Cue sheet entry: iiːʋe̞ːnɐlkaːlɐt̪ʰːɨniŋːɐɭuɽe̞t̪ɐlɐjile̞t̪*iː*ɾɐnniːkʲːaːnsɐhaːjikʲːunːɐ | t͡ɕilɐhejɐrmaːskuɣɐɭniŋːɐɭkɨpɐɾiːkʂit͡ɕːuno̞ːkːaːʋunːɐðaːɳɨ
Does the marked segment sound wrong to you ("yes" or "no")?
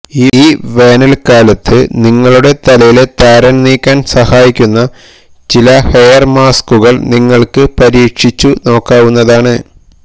yes